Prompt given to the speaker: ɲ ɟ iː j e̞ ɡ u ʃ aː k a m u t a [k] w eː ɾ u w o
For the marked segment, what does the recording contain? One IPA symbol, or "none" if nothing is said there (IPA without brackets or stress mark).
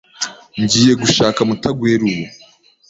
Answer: ɡ